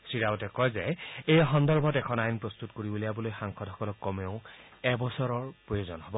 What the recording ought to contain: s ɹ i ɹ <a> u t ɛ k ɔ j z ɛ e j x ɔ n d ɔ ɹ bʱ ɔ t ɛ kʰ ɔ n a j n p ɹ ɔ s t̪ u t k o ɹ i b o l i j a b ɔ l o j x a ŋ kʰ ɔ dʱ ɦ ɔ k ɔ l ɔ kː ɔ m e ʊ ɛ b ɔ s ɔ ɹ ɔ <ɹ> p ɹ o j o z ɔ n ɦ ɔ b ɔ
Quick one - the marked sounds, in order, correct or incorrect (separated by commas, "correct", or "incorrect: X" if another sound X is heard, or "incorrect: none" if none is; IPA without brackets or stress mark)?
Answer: correct, correct